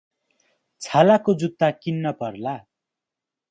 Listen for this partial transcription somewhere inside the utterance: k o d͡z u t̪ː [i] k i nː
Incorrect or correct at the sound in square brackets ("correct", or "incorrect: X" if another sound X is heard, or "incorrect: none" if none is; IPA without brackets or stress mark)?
incorrect: a